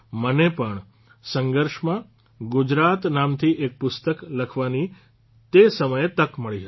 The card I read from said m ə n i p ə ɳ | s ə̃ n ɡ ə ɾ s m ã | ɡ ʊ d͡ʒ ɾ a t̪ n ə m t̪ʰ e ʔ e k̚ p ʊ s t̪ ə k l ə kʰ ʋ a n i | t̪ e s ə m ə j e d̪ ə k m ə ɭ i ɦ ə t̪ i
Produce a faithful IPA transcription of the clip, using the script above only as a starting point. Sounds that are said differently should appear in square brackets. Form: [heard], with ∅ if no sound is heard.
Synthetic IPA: m ə n [e] p ə ɳ | s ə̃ [ŋ] ɡ ə ɾ [ʃ] m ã | ɡ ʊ d͡ʒ ɾ a t̪ n [a] m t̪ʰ [i] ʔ e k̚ p ʊ s t̪ ə k l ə kʰ ʋ a n i | t̪ e s ə m ə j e [t̪] ə k m ə ɭ i ɦ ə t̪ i